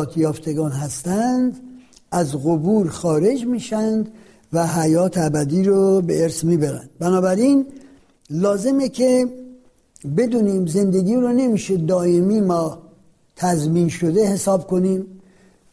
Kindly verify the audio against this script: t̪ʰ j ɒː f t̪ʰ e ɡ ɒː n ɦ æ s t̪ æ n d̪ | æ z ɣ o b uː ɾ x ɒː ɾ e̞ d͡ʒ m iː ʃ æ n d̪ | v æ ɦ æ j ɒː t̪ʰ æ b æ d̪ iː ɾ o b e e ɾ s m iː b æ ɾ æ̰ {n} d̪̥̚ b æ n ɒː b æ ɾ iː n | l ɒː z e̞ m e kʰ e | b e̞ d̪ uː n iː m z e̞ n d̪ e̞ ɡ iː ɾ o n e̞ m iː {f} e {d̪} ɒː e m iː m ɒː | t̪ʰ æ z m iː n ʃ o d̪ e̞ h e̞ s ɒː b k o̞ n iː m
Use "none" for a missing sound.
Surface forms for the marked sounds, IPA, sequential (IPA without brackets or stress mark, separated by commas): n, ʃ, d̪